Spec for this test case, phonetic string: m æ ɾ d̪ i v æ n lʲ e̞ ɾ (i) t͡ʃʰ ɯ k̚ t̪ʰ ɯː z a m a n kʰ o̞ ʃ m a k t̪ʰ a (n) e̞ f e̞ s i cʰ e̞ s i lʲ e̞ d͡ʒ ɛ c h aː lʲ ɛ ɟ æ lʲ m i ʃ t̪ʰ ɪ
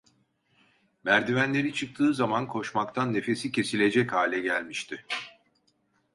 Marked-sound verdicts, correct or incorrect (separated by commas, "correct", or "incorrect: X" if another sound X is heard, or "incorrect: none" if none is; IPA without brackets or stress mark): correct, incorrect: nː